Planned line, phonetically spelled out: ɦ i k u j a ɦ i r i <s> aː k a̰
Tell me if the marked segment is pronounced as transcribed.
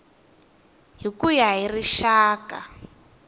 no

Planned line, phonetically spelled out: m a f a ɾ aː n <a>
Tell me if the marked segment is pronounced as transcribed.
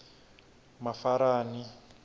no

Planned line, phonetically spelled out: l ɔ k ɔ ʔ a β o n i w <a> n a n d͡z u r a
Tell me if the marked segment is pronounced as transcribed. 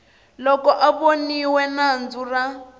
no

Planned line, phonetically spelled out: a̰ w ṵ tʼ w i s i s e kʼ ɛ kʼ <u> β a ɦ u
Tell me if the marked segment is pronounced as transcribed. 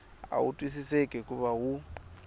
yes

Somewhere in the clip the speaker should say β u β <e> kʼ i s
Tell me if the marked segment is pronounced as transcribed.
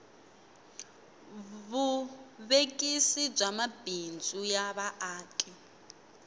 yes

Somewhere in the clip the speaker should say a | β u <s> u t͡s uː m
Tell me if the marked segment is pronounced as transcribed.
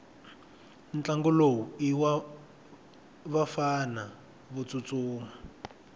no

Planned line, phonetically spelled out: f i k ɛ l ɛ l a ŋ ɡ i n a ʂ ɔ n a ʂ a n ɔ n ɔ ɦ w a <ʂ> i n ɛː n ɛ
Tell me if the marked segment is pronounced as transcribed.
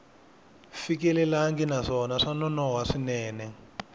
yes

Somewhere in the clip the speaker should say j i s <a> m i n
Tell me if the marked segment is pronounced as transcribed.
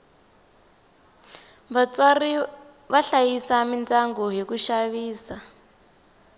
yes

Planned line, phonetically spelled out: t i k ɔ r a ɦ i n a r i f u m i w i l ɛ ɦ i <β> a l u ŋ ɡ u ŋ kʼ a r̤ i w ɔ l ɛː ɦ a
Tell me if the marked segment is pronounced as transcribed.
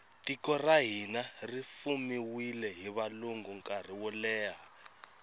yes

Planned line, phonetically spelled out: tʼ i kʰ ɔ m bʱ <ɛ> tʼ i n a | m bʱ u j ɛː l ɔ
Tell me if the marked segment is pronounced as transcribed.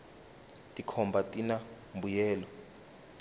no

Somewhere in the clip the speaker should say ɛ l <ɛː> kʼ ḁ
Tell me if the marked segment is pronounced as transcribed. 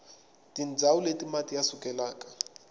no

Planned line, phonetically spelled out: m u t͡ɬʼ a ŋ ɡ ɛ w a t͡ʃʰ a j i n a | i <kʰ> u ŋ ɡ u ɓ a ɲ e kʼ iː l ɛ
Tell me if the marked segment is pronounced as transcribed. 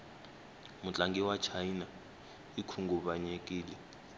yes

